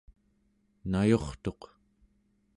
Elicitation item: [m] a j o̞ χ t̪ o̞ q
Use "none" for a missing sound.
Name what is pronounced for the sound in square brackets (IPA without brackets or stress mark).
n